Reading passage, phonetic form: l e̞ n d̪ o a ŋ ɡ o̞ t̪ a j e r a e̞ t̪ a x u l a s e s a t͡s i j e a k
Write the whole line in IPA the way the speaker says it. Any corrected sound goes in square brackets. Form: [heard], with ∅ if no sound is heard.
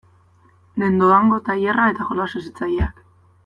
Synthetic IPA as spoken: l e̞ n d̪ o a ŋ ɡ o̞ t̪ a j e r a e̞ t̪ a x [o] l a s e s [i] t͡s [a] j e a k